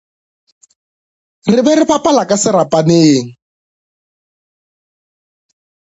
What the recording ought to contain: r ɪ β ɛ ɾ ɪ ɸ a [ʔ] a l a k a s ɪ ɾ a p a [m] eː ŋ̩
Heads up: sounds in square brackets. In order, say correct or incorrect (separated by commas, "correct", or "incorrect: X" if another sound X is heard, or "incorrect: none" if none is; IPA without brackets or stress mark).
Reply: incorrect: p, incorrect: n